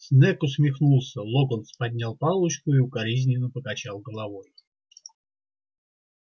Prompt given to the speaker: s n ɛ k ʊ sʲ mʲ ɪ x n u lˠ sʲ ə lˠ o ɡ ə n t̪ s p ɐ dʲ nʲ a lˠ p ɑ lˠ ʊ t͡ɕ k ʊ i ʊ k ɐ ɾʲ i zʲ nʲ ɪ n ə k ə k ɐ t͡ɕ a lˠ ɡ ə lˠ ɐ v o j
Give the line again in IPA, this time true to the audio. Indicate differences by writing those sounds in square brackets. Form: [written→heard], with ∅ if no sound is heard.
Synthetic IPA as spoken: s n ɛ k ʊ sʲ mʲ ɪ x n u lˠ sʲ ə lˠ o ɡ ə n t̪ s p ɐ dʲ nʲ a lˠ p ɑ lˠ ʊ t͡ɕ k ʊ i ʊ k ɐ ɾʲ i zʲ nʲ ɪ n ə [k→p] ə k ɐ t͡ɕ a lˠ ɡ ə lˠ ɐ v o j